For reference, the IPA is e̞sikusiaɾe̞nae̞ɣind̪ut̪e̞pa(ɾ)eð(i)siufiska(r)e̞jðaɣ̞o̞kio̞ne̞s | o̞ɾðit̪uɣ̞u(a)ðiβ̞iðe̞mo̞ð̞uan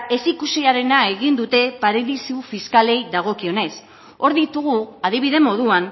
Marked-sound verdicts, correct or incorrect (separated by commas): correct, correct, incorrect, correct